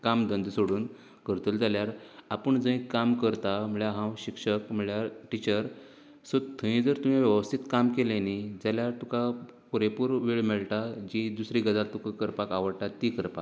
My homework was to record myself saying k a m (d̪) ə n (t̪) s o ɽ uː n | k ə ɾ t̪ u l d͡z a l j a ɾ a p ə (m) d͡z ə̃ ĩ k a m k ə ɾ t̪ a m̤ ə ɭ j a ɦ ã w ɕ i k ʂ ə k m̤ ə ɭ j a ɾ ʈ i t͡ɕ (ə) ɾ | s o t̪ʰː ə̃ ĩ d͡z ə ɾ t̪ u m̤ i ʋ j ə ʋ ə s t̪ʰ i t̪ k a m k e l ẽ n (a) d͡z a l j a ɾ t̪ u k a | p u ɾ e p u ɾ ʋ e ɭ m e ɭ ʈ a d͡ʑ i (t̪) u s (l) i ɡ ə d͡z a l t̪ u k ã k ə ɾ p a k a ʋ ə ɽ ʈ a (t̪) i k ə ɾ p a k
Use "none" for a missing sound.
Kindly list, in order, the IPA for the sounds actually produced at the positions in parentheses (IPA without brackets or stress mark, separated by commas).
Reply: d̪, d̪, ɳ, ə, i, d̪, ɾ, t̪